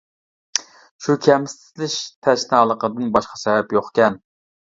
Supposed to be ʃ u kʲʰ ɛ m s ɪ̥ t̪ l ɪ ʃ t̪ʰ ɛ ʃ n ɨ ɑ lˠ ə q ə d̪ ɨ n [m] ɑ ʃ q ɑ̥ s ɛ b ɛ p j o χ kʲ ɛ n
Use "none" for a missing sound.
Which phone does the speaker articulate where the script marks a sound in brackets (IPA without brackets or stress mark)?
b